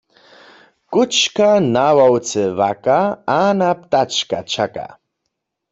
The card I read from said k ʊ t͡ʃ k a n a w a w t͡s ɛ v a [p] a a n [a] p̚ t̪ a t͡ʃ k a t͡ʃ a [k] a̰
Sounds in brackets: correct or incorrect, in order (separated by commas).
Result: incorrect, correct, correct